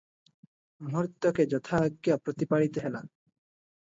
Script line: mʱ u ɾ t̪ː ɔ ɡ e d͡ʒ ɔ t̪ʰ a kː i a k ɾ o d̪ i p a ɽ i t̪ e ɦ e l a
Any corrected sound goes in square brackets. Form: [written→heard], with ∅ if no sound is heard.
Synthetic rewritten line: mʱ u ɾ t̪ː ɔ [ɡ→k] e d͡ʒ ɔ t̪ʰ a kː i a [k→p] ɾ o [d̪→t̪] i p a ɽ i t̪ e ɦ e l a